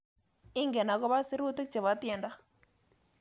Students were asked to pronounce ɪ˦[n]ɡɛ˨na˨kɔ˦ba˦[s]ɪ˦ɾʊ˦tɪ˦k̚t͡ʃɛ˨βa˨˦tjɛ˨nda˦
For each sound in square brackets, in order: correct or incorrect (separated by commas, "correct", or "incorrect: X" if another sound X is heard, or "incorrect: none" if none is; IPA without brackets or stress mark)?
incorrect: ŋ, correct